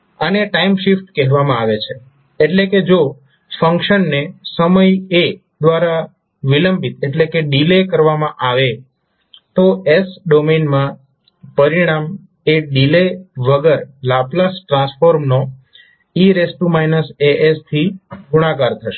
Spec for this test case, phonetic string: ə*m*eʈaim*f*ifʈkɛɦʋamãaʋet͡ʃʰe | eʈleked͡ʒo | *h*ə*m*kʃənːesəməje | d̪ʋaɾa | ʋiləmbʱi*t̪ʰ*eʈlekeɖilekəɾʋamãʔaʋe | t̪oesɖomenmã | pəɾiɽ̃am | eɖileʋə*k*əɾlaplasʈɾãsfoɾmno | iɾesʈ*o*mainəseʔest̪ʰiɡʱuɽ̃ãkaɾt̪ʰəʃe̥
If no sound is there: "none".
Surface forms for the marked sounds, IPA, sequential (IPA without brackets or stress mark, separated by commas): n, ʃ, f, ŋ, t̪, ɡ, u